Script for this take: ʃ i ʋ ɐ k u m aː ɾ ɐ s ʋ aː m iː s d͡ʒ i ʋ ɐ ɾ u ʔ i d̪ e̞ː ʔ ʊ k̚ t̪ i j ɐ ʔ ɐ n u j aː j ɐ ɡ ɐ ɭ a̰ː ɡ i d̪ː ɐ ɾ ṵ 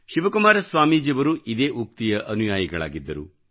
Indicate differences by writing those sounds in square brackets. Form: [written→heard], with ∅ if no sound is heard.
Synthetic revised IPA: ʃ i ʋ ɐ k u m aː ɾ ɐ s ʋ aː m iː [s→∅] d͡ʒ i ʋ ɐ ɾ u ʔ i d̪ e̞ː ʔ [ʊ→u] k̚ t̪ i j ɐ ʔ ɐ n u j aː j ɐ ɡ ɐ ɭ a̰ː ɡ i d̪ː ɐ ɾ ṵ